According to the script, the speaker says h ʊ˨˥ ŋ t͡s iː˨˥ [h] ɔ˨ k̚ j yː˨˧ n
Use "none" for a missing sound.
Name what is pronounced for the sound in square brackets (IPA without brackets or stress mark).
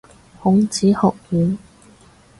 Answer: h